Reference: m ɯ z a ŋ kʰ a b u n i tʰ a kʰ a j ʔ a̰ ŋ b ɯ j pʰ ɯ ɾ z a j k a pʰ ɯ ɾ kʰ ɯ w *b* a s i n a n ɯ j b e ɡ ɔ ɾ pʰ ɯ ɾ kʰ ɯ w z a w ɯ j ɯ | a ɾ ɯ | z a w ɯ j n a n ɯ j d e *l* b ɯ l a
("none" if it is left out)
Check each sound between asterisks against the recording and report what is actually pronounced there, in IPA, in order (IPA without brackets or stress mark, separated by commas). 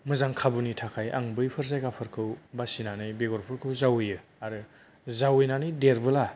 b, ɾ